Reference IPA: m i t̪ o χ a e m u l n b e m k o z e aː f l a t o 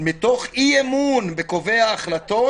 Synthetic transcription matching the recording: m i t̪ o χ i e m u n b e k o v e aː χ l a t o